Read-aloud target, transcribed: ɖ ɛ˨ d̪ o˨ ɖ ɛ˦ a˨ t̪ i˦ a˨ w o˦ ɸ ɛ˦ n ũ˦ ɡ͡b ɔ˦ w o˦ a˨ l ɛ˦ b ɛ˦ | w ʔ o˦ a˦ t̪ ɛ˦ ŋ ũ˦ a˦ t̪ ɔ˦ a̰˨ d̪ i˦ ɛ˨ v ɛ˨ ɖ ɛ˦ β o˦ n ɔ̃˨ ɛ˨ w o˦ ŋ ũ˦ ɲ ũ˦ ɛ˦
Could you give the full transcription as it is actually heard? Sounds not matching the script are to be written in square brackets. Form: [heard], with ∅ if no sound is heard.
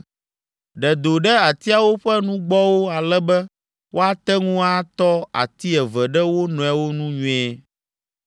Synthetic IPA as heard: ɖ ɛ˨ d̪ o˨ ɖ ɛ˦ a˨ t̪ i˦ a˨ w o˦ ɸ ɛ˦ n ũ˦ ɡ͡b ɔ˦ w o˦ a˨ l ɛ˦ b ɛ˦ | w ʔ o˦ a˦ t̪ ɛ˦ ŋ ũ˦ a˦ t̪ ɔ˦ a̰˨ [t̪] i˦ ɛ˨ v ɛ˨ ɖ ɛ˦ [w] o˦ n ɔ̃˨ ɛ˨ w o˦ [n] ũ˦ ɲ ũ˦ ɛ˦